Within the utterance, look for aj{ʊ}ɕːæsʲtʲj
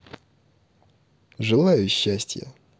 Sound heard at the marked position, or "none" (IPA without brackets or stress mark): ʊ